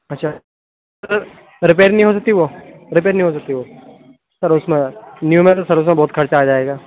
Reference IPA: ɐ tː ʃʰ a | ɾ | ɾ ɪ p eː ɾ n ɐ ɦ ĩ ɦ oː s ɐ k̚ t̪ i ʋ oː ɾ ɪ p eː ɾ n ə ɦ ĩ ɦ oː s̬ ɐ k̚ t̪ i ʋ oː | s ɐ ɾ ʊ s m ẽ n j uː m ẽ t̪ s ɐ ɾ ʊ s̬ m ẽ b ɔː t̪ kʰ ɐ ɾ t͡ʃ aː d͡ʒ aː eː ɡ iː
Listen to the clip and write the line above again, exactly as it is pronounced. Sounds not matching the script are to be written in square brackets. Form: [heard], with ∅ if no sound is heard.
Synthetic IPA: ɐ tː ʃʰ a | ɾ | ɾ ɪ p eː ɾ n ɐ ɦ ĩ ɦ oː s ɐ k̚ t̪ i ʋ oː ɾ ɪ p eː ɾ n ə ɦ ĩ ɦ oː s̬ ɐ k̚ t̪ i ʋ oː | s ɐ ɾ ʊ s m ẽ n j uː m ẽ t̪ s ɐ ɾ ʊ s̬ m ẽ b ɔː t̪ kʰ ɐ ɾ t͡ʃ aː d͡ʒ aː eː ɡ [aː]

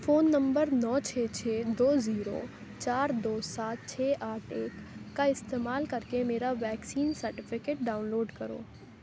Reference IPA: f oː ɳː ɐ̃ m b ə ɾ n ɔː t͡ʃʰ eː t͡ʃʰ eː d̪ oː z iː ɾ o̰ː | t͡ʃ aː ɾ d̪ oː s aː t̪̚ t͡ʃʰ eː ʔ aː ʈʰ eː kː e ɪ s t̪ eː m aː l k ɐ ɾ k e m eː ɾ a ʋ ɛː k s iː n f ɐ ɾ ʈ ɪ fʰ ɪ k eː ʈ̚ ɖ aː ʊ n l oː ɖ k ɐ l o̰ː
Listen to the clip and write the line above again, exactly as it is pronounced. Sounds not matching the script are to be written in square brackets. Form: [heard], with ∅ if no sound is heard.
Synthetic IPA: f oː [nː] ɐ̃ m b ə ɾ n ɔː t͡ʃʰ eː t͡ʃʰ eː d̪ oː z iː ɾ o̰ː | t͡ʃ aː ɾ d̪ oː s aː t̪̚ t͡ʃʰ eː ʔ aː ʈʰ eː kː [a] ɪ s t̪ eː m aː l k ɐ ɾ k e m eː ɾ a ʋ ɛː k s iː n [s] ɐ ɾ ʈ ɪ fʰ ɪ k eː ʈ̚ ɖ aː ʊ n l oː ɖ k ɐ [ɾ] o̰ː

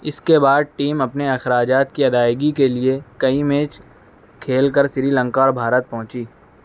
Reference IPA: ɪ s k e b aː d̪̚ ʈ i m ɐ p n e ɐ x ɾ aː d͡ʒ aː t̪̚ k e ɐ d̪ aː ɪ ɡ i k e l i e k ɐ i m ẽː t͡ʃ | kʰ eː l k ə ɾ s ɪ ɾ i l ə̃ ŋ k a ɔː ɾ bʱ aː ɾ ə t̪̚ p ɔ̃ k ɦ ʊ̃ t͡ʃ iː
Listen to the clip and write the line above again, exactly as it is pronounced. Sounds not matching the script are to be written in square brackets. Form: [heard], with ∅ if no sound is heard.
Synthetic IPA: ɪ s k e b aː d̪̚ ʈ [iː] m ɐ p n e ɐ x ɾ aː d͡ʒ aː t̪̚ k [i] ɐ d̪ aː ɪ ɡ i k e l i e k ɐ i m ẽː t͡ʃ | kʰ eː l k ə ɾ s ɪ ɾ i l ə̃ ŋ k a ɔː ɾ bʱ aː ɾ ə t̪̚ p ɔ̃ [∅] ɦ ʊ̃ t͡ʃ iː

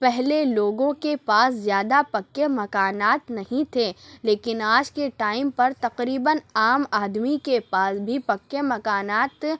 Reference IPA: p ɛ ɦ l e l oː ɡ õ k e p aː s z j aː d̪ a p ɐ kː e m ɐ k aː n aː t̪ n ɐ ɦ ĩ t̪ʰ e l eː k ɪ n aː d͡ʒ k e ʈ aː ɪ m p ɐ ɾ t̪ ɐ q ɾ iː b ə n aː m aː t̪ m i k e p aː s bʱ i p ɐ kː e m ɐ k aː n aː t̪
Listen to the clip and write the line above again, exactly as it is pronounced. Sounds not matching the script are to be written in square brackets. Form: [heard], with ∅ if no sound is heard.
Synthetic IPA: p ɛ ɦ l e l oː ɡ õ k e p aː s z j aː d̪ a p ɐ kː e m ɐ k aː n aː t̪ n ɐ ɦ ĩ t̪ʰ e l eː k ɪ n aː d͡ʒ k e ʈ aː ɪ m p ɐ ɾ t̪ ɐ q ɾ iː b ə n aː m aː [d̪] m i k e p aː s bʱ i p ɐ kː e m ɐ k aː n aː t̪

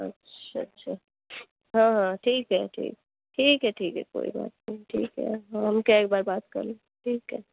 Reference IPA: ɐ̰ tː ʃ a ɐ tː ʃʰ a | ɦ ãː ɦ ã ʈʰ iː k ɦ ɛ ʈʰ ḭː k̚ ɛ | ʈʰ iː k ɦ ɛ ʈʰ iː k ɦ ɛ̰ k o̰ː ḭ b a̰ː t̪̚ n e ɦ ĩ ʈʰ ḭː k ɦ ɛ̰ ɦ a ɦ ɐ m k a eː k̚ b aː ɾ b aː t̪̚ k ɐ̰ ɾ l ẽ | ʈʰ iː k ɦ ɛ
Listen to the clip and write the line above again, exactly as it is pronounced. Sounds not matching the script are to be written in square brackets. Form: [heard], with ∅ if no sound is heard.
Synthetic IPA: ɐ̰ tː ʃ a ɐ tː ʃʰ a | ɦ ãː ɦ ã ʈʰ iː k ɦ ɛ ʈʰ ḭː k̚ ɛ | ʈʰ iː k ɦ ɛ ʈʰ iː k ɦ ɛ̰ k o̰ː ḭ b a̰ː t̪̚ n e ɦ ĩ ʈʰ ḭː k ɦ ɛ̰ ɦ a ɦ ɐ m k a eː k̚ b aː ɾ b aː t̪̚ k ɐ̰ ɾ l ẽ | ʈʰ iː k ɦ ɛ

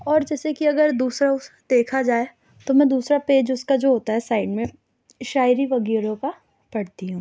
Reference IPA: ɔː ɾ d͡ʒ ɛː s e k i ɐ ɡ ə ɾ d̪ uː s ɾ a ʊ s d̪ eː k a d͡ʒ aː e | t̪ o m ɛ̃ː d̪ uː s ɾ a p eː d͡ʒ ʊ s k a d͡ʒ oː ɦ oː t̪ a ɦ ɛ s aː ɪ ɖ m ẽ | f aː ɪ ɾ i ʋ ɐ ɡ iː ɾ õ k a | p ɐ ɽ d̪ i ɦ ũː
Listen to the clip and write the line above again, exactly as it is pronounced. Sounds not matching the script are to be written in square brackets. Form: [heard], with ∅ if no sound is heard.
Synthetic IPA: ɔː ɾ d͡ʒ ɛː s e k i ɐ ɡ ə ɾ d̪ uː s ɾ a ʊ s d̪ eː [kʰ] a d͡ʒ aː e | t̪ o m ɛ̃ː d̪ uː s ɾ a p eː d͡ʒ ʊ s k a d͡ʒ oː ɦ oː t̪ a ɦ ɛ s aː ɪ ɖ m ẽ | [ʃ] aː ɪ ɾ i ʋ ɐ ɡ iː ɾ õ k a | p ɐ ɽ [t̪] i ɦ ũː

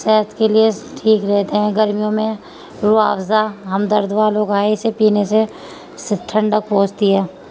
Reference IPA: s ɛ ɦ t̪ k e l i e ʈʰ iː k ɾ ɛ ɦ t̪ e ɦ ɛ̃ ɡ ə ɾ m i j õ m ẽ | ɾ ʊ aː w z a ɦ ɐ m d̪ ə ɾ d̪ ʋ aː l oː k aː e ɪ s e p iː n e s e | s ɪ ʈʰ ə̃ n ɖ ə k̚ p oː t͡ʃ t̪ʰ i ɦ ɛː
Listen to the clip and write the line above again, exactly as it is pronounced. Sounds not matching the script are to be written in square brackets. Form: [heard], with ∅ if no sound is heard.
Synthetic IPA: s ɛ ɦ t̪ k e l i e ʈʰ iː k ɾ ɛ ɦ t̪ e ɦ ɛ̃ ɡ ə ɾ m i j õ m ẽ | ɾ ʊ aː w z a ɦ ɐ m d̪ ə ɾ d̪ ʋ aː l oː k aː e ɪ s e p iː n e s e | s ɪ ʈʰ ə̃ [ɳ] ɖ ə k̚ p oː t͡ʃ [t̪] i ɦ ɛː

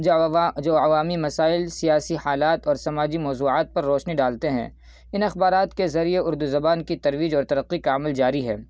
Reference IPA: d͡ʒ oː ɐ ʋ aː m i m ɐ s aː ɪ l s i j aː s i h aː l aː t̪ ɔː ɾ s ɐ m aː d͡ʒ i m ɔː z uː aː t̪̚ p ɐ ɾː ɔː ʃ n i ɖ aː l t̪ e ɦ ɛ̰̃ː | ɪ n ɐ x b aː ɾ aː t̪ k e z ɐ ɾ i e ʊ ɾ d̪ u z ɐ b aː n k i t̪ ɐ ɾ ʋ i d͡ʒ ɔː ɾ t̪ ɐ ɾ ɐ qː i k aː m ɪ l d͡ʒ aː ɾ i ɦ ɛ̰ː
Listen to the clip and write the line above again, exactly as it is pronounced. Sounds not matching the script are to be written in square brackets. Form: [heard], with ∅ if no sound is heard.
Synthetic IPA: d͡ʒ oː ɐ ʋ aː m i m ɐ s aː ɪ l s i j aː s i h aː l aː t̪ ɔː ɾ s ɐ m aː d͡ʒ i m ɔː z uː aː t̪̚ p ɐ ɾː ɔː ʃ n i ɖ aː l t̪ e ɦ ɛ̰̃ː | ɪ n ɐ x b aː ɾ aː t̪ k e z ɐ ɾ i e ʊ ɾ d̪ u z ɐ b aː n k i t̪ ɐ ɾ ʋ [iː] d͡ʒ ɔː ɾ t̪ ɐ ɾ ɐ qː i k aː m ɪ l d͡ʒ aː ɾ i ɦ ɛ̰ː

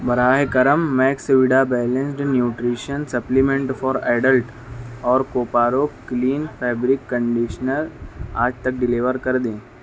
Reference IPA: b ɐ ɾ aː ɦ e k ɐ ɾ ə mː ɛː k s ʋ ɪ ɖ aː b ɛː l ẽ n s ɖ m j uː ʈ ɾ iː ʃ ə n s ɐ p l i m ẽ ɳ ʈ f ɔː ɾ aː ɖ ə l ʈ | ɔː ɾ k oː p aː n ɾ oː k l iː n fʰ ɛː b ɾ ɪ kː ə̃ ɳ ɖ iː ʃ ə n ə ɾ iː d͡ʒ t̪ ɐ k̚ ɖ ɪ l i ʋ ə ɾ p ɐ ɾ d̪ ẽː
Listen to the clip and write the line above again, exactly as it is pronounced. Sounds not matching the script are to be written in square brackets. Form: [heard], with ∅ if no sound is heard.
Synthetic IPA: b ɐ ɾ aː ɦ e k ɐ ɾ ə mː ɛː k s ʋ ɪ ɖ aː b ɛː l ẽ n s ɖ [n] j uː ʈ ɾ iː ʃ ə n s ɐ p l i m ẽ ɳ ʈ f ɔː ɾ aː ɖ ə l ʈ | ɔː ɾ k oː p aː [∅] ɾ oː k l iː n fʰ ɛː b ɾ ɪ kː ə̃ ɳ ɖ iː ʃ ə n ə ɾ [aː] d͡ʒ t̪ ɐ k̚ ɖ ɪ l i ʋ ə ɾ [k] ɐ ɾ d̪ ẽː

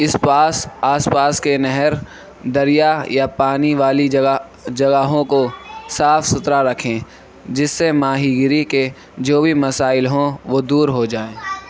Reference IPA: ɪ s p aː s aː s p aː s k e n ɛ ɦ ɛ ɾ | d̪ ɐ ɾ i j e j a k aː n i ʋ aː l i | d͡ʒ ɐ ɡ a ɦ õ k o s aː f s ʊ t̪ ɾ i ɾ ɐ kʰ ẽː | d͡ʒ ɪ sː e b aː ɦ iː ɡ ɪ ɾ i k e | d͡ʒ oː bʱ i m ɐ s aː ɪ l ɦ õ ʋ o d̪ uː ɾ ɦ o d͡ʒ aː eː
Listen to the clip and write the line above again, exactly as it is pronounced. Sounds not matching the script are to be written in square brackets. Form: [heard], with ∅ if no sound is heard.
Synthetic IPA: ɪ s p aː s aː s p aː s k e n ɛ ɦ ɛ ɾ | d̪ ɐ ɾ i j [a] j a [p] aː n i ʋ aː l i | d͡ʒ ɐ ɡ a ɦ õ k o s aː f s ʊ t̪ ɾ [a] ɾ ɐ kʰ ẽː | d͡ʒ ɪ sː e [m] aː ɦ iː ɡ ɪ ɾ i k e | d͡ʒ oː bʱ i m ɐ s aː ɪ l ɦ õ ʋ o d̪ uː ɾ ɦ o d͡ʒ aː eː

